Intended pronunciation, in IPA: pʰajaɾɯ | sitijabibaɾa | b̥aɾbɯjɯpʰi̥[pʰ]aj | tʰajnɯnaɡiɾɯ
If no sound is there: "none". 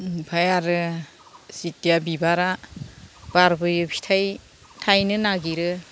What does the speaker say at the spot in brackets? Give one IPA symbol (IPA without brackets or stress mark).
tʰ